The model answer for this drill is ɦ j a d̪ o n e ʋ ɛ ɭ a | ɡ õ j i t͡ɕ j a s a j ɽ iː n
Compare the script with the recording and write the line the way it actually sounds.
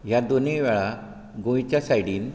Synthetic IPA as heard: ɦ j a d̪ o n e ʋ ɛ ɭ a | ɡ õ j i t͡ɕ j a s a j ɽ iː n